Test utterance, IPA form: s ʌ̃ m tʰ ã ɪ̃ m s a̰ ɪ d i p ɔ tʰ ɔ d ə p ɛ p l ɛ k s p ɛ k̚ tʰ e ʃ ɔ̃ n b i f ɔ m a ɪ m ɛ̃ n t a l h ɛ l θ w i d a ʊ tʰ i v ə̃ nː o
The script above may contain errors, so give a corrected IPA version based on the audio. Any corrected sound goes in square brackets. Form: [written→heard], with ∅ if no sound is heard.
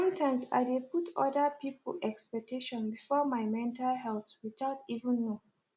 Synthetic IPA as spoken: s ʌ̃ m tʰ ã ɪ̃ m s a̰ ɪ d [i→e] p [ɔ→u] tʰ ɔ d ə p [ɛ→i] p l ɛ k s p ɛ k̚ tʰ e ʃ ɔ̃ n b i f ɔ m a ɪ m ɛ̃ n t a l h ɛ l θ w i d a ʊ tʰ i v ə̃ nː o